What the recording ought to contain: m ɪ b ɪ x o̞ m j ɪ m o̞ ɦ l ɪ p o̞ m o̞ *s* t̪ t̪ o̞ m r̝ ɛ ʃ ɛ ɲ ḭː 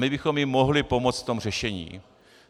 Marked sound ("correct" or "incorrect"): incorrect